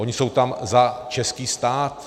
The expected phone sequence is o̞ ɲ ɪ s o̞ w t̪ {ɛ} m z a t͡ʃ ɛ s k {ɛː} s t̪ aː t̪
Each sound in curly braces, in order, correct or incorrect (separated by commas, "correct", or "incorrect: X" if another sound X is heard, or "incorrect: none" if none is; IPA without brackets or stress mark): incorrect: a, incorrect: iː